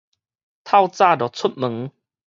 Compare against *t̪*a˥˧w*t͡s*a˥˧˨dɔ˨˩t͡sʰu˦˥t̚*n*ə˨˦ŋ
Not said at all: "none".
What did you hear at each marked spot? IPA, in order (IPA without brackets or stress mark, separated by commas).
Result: t̪ʰ, t͡s, m